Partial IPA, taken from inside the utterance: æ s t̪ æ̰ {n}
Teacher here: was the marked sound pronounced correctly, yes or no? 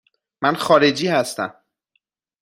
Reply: no